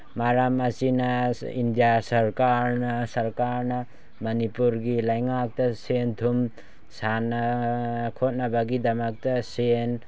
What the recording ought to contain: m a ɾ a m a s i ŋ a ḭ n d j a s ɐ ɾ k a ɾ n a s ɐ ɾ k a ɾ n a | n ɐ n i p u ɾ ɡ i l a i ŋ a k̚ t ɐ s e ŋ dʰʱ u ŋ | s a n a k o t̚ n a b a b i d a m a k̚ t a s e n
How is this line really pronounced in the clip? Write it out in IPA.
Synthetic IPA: m a ɾ a m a s i n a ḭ n d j a s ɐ ɾ k a ɾ n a s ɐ ɾ k a ɾ n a | m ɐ n i p u ɾ ɡ i l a j ŋ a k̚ t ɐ s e n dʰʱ u m | s a n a kʰ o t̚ n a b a ɡ i d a m a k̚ t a s e n